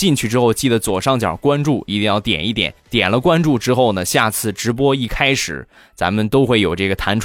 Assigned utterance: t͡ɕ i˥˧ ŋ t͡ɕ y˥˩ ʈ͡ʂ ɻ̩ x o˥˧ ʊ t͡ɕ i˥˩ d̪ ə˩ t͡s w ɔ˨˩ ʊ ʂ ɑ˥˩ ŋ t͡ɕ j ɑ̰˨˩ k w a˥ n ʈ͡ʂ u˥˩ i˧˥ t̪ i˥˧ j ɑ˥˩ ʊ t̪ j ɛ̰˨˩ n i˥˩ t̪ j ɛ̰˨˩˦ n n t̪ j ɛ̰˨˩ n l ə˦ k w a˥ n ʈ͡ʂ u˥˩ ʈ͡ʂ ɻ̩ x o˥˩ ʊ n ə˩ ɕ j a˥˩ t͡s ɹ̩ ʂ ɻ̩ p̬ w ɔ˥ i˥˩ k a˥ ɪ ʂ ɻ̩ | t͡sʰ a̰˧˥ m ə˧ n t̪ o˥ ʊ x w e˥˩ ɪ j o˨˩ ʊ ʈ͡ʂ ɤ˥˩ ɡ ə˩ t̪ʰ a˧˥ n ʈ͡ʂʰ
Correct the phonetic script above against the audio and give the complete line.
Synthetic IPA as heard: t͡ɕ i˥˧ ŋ t͡ɕʰ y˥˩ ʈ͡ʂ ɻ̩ x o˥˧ ʊ t͡ɕ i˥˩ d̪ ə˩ t͡s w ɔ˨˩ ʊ ʂ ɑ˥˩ ŋ t͡ɕ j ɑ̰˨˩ k w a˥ n ʈ͡ʂ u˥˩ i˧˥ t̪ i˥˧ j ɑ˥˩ ʊ t̪ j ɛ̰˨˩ n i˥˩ t̪ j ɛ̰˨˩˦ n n t̪ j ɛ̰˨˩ n l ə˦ k w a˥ n ʈ͡ʂ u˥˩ ʈ͡ʂ ɻ̩ x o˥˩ ʊ n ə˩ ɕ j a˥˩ t͡sʰ ɹ̩ ʈ͡ʂ ɻ̩ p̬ w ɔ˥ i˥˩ kʰ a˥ ɪ ʂ ɻ̩ | t͡s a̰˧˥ m ə˧ n t̪ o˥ ʊ x w e˥˩ ɪ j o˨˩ ʊ ʈ͡ʂ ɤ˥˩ ɡ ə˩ t̪ʰ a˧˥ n ʈ͡ʂʰ